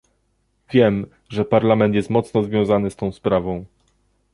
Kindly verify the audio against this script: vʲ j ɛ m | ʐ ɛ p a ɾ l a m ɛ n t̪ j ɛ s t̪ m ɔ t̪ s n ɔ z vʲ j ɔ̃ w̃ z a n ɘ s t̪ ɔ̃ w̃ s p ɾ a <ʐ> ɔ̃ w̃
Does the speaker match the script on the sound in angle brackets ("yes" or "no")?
no